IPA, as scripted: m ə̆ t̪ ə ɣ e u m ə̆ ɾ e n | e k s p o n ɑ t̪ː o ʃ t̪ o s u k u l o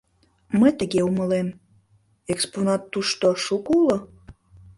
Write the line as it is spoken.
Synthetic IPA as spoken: m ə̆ t̪ ə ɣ e u m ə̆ l e m | e k s p o n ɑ t̪ː u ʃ t̪ o ʃ u k u l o